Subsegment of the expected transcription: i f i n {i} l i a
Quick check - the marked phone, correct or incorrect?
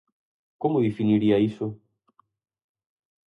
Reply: correct